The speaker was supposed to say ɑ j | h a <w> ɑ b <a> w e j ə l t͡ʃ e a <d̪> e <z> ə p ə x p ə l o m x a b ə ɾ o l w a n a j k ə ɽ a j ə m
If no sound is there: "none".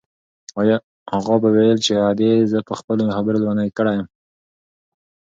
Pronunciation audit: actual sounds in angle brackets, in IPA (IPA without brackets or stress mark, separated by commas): ɣ, a, d̪, z